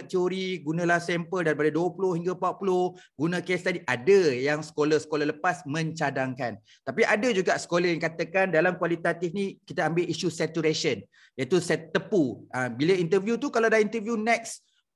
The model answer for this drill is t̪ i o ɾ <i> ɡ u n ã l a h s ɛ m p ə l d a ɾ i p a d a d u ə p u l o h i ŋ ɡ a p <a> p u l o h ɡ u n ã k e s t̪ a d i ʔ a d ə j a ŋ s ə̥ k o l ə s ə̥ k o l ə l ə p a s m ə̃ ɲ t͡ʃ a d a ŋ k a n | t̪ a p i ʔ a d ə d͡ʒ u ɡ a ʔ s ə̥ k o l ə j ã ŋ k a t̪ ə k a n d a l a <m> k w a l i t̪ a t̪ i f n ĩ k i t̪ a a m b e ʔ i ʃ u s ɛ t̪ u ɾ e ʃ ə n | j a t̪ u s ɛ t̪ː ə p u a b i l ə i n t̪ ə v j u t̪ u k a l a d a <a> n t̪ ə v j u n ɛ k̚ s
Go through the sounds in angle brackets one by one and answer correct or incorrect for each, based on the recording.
correct, correct, correct, incorrect: i

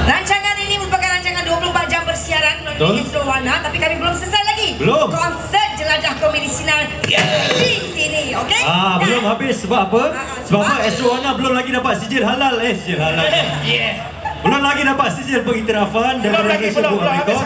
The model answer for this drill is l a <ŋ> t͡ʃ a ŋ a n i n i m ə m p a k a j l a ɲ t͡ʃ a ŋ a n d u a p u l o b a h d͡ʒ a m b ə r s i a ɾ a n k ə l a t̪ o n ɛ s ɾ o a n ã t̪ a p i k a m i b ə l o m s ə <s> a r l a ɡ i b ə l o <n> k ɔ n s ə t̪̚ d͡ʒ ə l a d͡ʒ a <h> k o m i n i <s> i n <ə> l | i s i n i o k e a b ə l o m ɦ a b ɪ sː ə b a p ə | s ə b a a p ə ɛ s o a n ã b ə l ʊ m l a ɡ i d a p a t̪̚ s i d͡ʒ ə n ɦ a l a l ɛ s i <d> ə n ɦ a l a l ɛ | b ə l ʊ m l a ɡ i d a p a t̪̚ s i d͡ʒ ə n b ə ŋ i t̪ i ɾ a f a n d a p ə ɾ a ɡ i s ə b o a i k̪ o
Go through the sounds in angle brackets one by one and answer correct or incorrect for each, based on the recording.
incorrect: ɲ, correct, incorrect: m, correct, correct, incorrect: a, incorrect: d͡ʒ

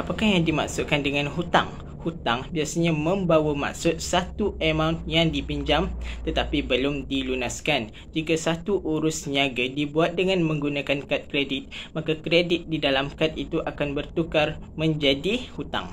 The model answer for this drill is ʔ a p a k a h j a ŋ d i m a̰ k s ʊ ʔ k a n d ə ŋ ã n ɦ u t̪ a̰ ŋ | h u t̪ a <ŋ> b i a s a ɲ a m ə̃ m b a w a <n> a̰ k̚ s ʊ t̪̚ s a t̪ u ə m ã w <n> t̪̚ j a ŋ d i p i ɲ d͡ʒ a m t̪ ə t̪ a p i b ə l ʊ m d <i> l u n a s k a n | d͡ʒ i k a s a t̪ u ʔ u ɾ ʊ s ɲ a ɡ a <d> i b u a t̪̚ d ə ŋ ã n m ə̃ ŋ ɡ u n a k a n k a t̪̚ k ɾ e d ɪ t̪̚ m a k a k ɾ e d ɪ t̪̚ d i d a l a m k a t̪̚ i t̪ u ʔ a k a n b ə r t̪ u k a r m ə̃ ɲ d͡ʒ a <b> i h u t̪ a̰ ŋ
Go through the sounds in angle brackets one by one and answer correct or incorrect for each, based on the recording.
correct, incorrect: m, correct, correct, correct, incorrect: d

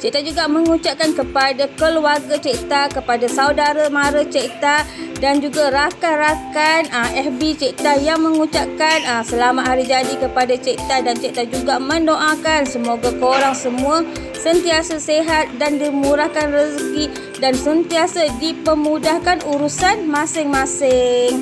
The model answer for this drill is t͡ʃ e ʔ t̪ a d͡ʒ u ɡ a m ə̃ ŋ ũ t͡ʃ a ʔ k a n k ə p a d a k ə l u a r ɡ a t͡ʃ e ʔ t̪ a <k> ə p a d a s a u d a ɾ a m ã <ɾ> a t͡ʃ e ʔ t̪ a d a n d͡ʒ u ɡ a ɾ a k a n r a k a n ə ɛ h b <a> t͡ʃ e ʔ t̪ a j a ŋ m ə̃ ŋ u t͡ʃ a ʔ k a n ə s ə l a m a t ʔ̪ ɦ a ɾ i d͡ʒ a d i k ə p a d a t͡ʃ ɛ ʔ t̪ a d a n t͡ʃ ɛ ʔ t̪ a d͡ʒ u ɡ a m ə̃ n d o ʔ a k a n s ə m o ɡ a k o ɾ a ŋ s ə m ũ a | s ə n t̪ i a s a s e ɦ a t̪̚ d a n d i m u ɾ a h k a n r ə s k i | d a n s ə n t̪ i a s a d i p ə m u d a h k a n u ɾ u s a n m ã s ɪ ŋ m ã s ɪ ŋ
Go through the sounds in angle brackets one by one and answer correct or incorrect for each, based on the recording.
correct, correct, incorrect: i

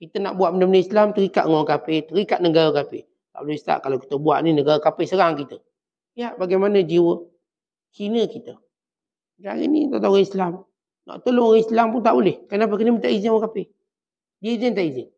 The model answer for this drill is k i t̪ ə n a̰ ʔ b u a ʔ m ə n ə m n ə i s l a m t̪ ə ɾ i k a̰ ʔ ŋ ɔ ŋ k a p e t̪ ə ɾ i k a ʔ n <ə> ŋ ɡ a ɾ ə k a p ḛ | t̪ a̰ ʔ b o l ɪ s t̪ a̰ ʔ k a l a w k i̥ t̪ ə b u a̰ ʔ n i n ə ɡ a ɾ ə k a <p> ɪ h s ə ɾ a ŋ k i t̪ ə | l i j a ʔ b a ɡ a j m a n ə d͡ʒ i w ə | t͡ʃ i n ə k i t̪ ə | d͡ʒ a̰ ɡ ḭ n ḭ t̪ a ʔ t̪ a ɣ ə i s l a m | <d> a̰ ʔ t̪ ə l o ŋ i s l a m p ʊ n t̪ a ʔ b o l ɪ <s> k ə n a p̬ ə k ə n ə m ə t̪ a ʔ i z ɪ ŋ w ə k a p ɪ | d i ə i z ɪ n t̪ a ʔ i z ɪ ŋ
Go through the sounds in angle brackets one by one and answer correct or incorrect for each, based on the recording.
correct, correct, incorrect: n, incorrect: h

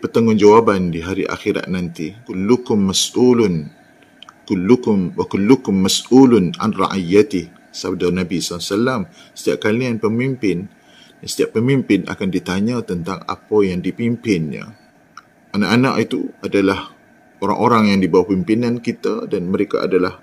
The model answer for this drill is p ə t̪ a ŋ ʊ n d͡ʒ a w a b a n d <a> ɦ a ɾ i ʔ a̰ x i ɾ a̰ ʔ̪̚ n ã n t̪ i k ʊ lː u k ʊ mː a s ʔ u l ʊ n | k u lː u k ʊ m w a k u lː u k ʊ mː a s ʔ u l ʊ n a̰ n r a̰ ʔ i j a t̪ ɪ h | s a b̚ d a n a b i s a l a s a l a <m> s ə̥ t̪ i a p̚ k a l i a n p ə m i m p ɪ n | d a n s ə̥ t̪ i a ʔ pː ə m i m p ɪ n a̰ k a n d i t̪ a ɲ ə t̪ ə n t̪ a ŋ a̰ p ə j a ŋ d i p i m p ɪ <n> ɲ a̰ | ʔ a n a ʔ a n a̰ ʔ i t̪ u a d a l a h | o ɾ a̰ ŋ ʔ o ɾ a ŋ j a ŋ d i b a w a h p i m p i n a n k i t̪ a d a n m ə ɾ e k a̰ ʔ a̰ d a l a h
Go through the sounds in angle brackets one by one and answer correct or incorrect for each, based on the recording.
incorrect: i, correct, correct

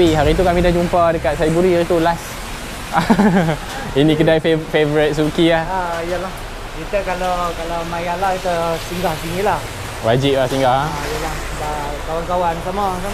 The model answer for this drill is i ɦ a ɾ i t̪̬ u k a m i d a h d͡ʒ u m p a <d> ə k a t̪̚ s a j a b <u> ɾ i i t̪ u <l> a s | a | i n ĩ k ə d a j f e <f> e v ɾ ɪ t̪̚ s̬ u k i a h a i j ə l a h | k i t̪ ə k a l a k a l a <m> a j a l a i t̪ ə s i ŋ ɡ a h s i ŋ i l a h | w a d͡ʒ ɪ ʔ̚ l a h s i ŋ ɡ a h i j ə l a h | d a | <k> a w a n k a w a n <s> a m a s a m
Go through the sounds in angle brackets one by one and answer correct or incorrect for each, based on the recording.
correct, correct, correct, correct, correct, correct, correct

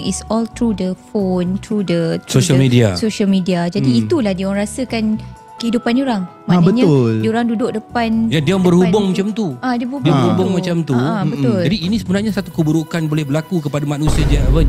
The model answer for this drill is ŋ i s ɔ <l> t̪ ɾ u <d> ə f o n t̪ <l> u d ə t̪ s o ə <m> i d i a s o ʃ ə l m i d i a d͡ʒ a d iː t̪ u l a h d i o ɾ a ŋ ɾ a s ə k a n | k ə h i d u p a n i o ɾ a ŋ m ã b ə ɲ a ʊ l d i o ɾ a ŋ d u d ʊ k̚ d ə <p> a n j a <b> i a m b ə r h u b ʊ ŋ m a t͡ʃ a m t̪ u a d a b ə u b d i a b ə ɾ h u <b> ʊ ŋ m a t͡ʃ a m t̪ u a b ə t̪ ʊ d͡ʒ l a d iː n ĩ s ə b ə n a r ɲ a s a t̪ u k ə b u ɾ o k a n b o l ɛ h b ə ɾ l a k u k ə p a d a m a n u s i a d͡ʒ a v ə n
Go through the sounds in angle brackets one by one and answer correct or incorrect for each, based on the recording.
correct, correct, incorrect: ɾ, correct, correct, incorrect: d, correct

